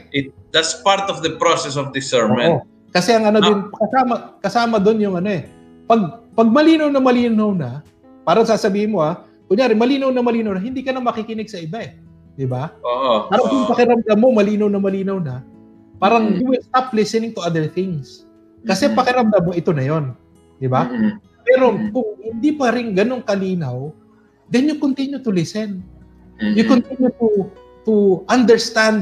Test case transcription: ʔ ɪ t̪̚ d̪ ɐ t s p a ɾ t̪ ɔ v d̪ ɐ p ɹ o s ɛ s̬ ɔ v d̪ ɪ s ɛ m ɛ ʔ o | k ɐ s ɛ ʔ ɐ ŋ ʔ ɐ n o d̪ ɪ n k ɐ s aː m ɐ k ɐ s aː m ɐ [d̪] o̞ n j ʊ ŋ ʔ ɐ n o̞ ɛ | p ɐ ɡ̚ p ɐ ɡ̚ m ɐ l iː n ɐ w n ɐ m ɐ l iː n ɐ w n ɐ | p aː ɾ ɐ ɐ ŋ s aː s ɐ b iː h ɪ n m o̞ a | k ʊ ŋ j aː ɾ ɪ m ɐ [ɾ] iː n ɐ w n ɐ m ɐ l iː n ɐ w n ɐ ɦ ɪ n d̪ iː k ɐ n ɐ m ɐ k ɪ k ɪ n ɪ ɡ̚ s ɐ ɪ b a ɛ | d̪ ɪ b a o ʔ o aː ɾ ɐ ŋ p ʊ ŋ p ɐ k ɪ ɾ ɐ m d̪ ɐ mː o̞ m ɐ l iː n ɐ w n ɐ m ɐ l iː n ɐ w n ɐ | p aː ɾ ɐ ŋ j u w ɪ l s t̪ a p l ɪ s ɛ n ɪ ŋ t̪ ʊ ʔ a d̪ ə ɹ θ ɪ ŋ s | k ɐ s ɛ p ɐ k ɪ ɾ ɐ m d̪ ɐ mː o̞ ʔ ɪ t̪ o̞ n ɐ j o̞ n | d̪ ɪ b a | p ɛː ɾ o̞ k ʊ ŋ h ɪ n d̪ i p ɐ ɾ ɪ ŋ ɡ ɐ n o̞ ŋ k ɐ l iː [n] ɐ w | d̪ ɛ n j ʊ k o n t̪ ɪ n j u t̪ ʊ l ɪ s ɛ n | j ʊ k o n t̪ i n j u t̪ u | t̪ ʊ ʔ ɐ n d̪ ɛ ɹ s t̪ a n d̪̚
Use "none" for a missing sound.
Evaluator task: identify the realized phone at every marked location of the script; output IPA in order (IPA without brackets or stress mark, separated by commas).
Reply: d̪, l, n